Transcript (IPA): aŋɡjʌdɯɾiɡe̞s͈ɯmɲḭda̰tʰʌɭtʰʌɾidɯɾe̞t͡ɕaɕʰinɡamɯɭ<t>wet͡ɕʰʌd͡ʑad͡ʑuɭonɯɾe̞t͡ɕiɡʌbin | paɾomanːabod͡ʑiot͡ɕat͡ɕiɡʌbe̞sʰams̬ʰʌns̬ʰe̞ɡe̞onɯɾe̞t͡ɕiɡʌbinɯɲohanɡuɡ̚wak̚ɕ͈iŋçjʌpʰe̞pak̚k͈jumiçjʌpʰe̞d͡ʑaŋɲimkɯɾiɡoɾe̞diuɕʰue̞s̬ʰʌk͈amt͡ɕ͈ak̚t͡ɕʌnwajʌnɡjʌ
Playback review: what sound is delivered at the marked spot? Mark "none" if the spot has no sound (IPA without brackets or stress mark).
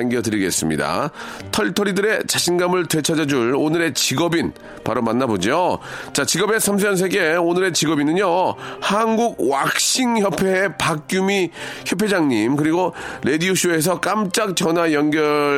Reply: t